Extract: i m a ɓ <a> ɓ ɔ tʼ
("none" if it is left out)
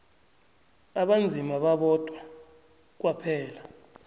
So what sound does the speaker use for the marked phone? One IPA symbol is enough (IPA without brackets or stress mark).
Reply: a